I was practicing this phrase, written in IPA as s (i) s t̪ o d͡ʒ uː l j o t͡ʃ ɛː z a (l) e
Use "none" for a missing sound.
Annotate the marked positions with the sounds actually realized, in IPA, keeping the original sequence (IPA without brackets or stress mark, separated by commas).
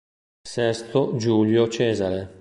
ɛ, ɾ